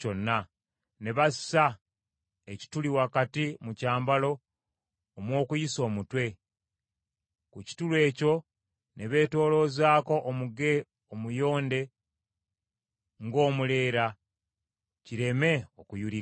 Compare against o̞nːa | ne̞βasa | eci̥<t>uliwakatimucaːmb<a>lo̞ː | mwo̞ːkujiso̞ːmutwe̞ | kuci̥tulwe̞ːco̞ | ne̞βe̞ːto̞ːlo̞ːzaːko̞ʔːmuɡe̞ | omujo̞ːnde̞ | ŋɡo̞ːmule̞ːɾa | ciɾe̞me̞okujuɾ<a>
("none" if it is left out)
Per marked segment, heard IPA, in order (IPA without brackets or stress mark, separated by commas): t, a, i